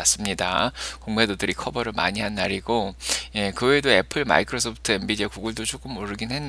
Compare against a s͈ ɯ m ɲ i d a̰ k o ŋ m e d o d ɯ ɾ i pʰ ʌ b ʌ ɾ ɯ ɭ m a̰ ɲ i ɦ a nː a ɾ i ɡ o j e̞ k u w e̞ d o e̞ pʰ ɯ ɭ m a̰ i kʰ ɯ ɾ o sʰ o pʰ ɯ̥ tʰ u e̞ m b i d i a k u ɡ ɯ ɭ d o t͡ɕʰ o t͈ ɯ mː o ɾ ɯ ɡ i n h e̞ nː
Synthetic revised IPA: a s͈ ɯ m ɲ i d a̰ k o ŋ m e d o d ɯ ɾ i kʰ ʌ b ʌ ɾ ɯ ɭ m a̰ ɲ i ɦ a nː a ɾ i ɡ o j e̞ k ɯ w e̞ d o e̞ pʰ ɯ ɭ m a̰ i kʰ ɯ ɾ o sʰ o pʰ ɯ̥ tʰ ɯ e̞ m b i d i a k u ɡ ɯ ɭ d o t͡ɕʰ o k͈ ɯ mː o ɾ ɯ ɡ i n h e̞ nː